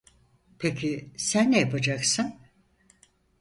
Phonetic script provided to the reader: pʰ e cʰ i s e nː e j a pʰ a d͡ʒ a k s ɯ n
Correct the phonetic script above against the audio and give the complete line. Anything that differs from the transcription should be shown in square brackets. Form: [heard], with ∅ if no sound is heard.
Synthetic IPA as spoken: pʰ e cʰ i s [æ] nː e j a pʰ a d͡ʒ a k s ɯ n